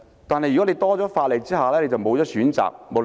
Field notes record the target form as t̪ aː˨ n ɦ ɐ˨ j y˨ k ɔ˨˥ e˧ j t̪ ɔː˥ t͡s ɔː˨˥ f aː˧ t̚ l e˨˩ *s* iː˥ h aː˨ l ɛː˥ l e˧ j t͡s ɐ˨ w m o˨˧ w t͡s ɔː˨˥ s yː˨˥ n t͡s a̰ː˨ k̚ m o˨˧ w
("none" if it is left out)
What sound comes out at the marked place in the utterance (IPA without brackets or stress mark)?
t͡s